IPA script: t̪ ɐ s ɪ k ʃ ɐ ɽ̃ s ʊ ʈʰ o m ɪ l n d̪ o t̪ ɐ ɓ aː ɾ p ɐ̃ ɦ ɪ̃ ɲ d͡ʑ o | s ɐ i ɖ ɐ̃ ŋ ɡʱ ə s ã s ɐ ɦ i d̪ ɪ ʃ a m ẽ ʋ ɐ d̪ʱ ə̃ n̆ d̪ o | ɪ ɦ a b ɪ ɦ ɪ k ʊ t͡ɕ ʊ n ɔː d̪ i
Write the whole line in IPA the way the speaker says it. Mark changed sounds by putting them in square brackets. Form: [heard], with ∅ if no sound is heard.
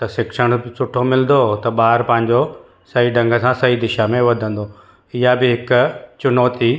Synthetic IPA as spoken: t̪ ɐ s ɪ k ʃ [ə] ɽ̃ s ʊ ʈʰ o m ɪ l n d̪ o t̪ ɐ ɓ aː ɾ p ɐ̃ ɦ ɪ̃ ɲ d͡ʑ o | s ɐ i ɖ ɐ̃ ŋ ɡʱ ə s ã s ɐ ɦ i d̪ ɪ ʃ a m ẽ ʋ ɐ d̪ʱ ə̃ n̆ d̪ o | ɪ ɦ a b ɪ ɦ ɪ k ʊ t͡ɕ ʊ n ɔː [t̪] i